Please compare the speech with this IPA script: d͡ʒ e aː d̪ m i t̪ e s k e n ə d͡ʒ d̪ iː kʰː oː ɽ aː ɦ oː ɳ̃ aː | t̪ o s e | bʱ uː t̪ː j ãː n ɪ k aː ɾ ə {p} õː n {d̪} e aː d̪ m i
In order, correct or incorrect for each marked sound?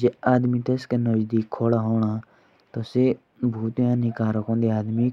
incorrect: k, correct

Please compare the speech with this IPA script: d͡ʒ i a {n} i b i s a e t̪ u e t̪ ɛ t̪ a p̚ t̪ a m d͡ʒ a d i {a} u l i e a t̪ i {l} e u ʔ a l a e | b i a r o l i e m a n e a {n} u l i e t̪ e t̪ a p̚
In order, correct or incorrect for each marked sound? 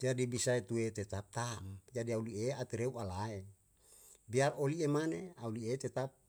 incorrect: d, correct, incorrect: ɾ, incorrect: none

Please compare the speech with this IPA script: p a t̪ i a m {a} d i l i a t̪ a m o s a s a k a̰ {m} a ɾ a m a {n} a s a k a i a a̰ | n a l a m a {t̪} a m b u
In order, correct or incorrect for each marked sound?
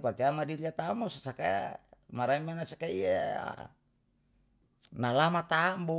correct, correct, correct, correct

